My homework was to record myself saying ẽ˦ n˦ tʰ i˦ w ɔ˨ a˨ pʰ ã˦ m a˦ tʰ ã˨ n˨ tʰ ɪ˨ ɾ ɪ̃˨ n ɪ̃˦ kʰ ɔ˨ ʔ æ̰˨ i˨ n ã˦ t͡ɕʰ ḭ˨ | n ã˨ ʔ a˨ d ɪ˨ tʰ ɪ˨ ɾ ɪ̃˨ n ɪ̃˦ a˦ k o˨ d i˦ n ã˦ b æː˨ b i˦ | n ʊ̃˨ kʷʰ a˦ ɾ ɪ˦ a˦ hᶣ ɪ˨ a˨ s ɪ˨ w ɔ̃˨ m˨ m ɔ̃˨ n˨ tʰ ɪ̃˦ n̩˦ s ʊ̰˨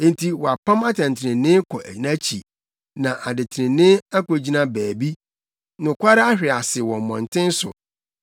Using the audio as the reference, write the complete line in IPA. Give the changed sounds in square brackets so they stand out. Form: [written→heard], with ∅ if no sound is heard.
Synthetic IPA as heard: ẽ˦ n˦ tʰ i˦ w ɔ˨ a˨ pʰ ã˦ m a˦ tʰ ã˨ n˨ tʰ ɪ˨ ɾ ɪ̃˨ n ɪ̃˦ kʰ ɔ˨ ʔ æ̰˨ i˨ n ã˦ t͡ɕʰ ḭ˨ | n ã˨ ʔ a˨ d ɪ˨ tʰ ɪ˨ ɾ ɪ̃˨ n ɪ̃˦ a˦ k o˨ [d→d͡ʑ] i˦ n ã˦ b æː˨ b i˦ | n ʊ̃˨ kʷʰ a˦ ɾ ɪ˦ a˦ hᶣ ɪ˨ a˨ s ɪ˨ w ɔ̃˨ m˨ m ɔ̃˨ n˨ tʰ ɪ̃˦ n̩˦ s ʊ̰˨